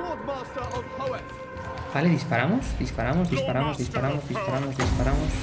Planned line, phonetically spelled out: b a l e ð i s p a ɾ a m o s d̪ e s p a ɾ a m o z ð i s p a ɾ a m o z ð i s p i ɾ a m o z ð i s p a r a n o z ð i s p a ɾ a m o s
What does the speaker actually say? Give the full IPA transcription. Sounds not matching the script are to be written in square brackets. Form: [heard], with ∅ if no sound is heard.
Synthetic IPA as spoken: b a l e ð i s p a ɾ a m o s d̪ [i] s p a ɾ a m o z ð i s p a ɾ a m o z ð i s p [a] ɾ a m o z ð i s p a [ɾ] a [m] o z ð i s p a ɾ a m o s